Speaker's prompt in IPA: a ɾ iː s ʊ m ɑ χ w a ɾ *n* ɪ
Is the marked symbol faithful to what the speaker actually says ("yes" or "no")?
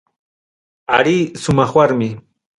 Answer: no